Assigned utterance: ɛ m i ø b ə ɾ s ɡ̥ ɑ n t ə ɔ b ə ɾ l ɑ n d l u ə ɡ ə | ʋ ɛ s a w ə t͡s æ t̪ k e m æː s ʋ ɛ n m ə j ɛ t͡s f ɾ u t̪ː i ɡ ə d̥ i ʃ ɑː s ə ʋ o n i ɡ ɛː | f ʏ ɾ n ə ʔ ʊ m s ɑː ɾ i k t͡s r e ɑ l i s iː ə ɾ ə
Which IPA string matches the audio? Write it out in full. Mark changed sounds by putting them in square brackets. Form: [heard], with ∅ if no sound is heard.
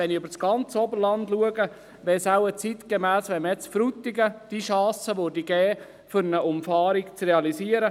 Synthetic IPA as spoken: ɛ [n] i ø b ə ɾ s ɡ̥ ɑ n [t͡s] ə ɔ b ə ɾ l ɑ n d l u ə ɡ ə | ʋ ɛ s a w ə t͡s [i] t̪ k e m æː s ʋ ɛ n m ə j ɛ t͡s f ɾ u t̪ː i ɡ ə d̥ i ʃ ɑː s ə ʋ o [d] i ɡ ɛː | f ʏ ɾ n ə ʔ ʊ m [f] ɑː ɾ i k t͡s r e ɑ l i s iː ə ɾ ə